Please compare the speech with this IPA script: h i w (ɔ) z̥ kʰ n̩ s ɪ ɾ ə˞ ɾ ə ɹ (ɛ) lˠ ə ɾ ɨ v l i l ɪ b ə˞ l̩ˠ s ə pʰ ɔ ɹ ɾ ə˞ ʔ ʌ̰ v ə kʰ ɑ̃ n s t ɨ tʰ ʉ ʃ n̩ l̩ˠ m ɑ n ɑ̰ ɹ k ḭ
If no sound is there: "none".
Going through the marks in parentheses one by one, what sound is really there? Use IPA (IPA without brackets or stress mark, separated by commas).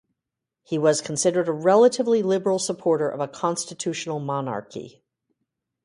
ʌ, ɛ